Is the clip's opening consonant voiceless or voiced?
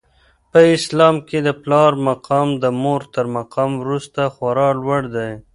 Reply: voiceless